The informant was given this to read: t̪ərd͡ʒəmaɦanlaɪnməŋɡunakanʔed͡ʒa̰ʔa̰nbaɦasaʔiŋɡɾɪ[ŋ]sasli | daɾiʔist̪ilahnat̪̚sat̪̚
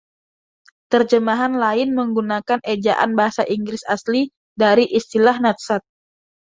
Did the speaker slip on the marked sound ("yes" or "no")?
yes